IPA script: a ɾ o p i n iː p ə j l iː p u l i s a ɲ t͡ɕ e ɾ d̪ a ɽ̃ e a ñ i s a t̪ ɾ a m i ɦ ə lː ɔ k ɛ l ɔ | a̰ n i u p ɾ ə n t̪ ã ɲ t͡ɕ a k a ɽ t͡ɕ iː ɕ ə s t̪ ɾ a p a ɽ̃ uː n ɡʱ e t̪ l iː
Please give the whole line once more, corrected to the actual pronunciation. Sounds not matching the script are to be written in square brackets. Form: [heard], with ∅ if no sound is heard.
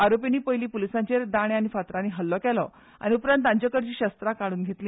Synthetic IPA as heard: a ɾ o p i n iː p ə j l iː p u l i s a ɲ t͡ɕ e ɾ d̪ a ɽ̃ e a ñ i [f] a t̪ ɾ a [n] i ɦ ə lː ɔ k ɛ l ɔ | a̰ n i u p ɾ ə n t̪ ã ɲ t͡ɕ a k [ə] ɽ t͡ɕ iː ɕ ə s t̪ ɾ a [k] a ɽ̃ uː n ɡʱ e t̪ l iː